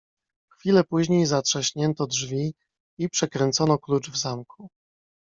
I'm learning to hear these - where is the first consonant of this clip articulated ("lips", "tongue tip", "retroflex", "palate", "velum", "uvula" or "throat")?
velum